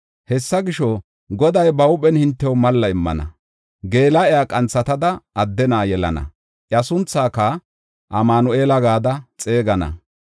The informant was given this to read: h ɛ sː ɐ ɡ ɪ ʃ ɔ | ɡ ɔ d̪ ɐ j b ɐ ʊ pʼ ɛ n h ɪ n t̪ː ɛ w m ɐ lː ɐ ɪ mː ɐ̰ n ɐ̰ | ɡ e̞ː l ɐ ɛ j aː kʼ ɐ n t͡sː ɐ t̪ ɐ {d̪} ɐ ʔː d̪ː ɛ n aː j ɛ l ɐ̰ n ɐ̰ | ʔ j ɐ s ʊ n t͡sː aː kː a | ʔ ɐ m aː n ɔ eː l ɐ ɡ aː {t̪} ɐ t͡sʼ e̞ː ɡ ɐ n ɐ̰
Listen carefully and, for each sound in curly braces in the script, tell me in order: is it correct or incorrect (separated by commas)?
correct, incorrect